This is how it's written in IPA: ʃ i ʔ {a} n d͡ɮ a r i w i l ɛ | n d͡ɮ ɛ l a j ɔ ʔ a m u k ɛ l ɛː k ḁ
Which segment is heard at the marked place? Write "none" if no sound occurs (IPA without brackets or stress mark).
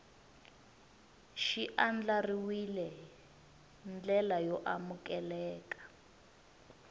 a